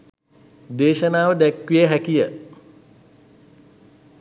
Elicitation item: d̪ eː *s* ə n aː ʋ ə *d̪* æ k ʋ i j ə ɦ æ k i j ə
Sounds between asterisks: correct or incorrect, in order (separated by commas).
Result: incorrect, correct